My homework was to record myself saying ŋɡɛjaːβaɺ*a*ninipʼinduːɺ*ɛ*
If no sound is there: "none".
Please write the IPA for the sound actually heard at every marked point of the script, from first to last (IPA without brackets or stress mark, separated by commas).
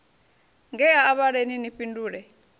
e, ɛ